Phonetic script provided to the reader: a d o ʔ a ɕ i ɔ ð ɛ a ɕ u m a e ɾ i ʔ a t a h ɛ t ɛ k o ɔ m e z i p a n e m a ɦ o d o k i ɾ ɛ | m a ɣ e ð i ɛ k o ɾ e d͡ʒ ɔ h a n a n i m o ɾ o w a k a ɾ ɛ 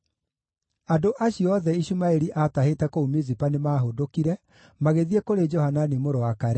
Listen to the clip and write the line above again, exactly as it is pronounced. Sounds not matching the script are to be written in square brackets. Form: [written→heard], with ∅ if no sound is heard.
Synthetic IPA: a d o ʔ a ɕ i ɔ ð ɛ [a→i] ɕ u m a e ɾ i ʔ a t a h [ɛ→e] t ɛ k o [ɔ→u] m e z i p a n e m a ɦ o d o k i ɾ ɛ | m a ɣ e ð i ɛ k o ɾ e d͡ʒ ɔ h a n a n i m o ɾ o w a k a ɾ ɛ